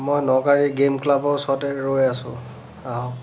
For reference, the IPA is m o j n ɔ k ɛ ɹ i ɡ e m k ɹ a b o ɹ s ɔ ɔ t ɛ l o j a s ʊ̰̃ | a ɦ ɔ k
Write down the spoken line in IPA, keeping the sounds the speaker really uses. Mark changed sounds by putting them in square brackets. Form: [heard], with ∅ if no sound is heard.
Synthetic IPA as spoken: m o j n ɔ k [a] ɹ i ɡ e m k [l] a b [ɔ] ɹ s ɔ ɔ t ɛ [ɹ] o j a s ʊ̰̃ | a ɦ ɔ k